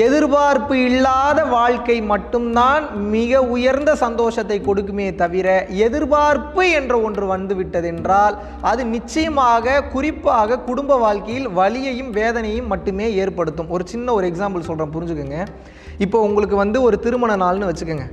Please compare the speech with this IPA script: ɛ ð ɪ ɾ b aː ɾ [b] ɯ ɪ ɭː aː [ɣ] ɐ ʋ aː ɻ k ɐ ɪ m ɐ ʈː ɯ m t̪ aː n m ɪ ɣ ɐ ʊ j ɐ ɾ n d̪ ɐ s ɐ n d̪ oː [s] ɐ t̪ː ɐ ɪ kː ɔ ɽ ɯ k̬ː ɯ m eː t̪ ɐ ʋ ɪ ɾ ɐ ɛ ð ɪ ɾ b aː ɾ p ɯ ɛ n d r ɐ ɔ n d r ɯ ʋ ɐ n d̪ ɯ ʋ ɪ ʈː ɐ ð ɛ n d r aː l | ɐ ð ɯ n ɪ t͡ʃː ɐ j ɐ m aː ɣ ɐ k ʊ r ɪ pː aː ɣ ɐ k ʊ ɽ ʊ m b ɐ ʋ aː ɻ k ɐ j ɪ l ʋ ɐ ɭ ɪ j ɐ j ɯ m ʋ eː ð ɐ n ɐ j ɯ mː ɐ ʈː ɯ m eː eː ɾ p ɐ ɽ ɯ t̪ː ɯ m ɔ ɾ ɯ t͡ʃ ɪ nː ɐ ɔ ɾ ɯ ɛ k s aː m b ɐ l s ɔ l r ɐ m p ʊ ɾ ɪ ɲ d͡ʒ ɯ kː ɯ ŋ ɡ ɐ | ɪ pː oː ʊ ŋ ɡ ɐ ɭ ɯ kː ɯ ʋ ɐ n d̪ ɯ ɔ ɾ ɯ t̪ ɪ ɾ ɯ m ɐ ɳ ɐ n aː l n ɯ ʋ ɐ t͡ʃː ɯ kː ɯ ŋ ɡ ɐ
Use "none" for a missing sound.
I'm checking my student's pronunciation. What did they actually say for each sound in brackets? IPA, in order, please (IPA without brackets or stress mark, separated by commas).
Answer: p, ð, ʂ